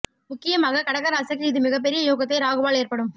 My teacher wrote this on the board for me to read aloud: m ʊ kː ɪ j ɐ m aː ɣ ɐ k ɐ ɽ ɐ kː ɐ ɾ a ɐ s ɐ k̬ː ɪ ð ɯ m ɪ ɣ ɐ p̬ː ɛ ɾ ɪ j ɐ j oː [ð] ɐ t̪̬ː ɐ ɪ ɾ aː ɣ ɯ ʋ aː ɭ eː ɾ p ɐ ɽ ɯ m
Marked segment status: incorrect: ɣ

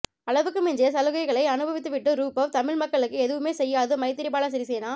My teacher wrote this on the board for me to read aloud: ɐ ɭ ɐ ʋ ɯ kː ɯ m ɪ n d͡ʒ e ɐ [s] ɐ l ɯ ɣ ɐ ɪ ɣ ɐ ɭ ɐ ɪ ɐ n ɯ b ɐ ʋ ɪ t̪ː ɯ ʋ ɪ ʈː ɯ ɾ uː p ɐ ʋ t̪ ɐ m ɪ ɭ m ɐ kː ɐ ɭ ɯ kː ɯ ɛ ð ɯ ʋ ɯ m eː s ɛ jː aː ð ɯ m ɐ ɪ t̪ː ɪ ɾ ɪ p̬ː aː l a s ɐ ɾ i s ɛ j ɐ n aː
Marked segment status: correct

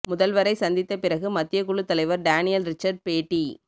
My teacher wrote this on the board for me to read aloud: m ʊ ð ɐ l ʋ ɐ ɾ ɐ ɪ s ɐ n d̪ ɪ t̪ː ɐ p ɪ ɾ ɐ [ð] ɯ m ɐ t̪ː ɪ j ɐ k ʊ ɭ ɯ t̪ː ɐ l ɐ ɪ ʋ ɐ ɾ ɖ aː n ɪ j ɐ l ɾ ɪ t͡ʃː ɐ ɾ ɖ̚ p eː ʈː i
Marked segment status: incorrect: ɣ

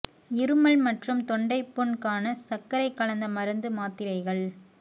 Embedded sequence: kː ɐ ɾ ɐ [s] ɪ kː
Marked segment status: incorrect: none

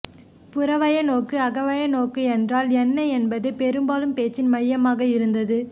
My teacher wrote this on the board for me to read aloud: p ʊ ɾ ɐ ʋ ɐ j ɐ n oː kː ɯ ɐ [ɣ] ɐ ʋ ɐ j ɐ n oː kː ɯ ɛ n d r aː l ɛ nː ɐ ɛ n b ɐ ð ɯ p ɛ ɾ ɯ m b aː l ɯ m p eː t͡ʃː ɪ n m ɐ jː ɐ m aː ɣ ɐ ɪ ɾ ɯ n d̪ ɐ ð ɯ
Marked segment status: correct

